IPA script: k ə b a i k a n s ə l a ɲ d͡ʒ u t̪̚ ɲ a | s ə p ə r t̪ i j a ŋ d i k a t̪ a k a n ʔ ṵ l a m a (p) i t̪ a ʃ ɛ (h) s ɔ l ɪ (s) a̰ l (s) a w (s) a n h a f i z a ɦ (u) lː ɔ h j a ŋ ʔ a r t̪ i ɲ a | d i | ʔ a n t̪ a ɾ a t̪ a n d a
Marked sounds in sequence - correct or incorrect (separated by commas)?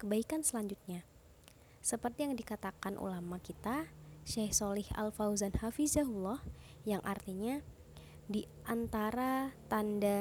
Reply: incorrect, correct, incorrect, incorrect, incorrect, correct